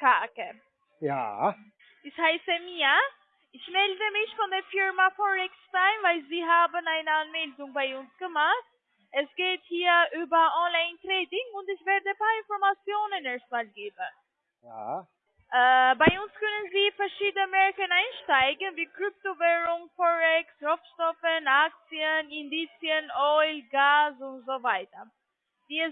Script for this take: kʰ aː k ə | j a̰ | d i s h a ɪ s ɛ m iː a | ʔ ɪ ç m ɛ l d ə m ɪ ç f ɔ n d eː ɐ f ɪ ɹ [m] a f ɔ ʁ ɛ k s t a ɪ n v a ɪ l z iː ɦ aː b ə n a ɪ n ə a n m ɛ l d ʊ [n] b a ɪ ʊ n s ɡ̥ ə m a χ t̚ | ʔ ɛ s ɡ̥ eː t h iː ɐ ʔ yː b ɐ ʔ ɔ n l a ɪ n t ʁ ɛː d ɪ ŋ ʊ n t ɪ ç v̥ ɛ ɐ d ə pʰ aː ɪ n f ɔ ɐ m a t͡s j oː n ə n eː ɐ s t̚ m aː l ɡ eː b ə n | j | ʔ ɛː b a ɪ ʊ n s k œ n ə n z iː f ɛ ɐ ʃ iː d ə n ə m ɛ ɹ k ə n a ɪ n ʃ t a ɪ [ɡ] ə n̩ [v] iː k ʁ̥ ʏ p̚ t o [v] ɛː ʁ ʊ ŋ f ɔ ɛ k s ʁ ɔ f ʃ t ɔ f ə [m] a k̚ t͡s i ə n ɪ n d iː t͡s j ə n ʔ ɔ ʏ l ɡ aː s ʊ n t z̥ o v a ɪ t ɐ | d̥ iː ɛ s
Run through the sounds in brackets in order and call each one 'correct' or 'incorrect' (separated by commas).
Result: correct, incorrect, correct, correct, correct, incorrect